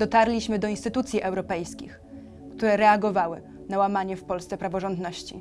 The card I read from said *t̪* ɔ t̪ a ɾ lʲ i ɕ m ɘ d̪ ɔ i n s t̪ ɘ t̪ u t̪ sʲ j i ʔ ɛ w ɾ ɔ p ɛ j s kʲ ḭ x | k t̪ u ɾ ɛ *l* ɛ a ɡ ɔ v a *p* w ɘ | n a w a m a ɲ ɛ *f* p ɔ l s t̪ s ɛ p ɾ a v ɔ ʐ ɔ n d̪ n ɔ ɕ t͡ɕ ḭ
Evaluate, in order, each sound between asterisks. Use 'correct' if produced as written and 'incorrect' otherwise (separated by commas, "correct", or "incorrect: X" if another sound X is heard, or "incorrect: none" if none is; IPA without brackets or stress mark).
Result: incorrect: d̪, incorrect: ɾ, incorrect: none, correct